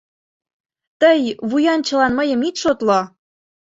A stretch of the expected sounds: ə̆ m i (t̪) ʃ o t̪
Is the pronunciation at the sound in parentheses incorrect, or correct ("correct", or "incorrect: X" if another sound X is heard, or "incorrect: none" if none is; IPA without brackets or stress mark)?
correct